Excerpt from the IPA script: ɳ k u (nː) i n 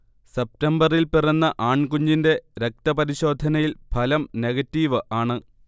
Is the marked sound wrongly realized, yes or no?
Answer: yes